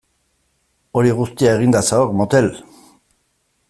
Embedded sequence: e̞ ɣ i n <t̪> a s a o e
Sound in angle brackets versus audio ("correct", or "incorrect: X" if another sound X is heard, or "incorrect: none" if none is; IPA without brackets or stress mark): incorrect: d̪